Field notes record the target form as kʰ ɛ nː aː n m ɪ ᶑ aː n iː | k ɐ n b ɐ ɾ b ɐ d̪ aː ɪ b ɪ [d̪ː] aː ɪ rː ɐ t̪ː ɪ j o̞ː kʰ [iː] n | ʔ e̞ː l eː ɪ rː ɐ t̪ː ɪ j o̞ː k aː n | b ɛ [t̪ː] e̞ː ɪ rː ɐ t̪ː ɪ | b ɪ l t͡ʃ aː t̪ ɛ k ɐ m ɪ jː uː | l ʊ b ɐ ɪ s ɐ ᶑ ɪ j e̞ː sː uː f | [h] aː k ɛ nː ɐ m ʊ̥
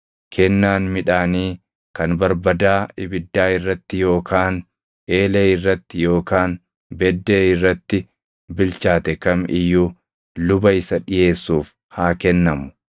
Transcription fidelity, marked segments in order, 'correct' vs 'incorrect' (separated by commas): correct, incorrect, incorrect, correct